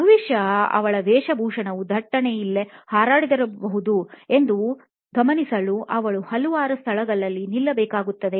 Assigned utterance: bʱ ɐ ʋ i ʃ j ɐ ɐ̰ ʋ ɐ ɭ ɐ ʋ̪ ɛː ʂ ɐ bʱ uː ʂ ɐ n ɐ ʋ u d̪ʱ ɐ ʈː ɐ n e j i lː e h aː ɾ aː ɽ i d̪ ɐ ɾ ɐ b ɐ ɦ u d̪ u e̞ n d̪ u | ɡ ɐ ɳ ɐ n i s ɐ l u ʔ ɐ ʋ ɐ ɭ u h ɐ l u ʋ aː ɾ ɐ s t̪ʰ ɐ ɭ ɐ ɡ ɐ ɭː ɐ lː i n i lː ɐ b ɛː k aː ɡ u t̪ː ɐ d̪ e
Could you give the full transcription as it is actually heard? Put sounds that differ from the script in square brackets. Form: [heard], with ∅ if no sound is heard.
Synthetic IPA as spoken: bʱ ɐ ʋ i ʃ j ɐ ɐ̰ ʋ ɐ ɭ ɐ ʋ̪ ɛː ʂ ɐ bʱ uː ʂ ɐ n ɐ ʋ u d̪ʱ ɐ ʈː ɐ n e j i lː e h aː ɾ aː ɽ i d̪ ɐ ɾ ɐ b ɐ ɦ u d̪ u e̞ n d̪ u | ɡ ɐ [m] ɐ n i s ɐ l u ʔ ɐ ʋ ɐ ɭ u h ɐ l u ʋ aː ɾ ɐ s t̪ʰ ɐ ɭ ɐ ɡ ɐ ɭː ɐ lː i n i lː ɐ b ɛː k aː ɡ u t̪ː ɐ d̪ e